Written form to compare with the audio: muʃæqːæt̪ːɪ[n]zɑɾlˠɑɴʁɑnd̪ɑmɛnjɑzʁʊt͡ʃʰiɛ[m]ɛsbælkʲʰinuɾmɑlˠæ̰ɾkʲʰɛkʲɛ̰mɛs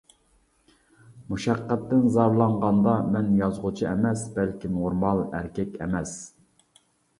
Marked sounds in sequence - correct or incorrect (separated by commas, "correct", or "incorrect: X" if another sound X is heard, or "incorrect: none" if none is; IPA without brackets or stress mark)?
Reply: correct, correct